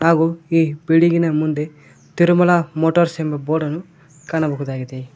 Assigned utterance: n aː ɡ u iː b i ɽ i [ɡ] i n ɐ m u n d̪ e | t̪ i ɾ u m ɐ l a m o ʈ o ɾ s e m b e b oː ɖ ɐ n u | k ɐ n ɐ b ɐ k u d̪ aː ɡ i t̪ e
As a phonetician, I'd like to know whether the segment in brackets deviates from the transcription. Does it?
no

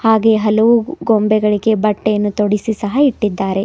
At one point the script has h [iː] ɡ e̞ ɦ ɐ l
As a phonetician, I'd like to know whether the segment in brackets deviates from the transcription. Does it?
yes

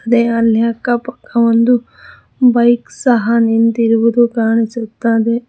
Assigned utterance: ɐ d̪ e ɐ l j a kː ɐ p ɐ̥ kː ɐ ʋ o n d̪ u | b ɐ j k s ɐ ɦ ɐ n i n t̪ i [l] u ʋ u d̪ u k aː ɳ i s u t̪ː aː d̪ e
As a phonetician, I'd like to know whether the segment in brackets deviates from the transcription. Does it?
yes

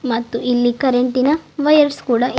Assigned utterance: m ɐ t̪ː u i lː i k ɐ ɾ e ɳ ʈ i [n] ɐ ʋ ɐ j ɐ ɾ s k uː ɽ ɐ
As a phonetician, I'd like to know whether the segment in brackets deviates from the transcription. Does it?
no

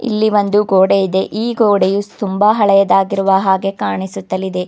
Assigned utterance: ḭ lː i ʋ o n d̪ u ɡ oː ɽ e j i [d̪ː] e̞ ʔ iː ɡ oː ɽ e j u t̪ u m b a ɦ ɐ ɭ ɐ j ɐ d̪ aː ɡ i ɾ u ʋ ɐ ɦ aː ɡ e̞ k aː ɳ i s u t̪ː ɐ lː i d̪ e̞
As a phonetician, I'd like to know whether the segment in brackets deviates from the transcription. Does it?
yes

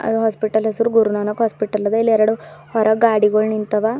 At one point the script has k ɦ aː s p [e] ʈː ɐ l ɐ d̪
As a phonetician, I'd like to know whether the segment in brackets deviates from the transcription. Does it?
yes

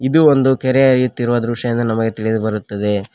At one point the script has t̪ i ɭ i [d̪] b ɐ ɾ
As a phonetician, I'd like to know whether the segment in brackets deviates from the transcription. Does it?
no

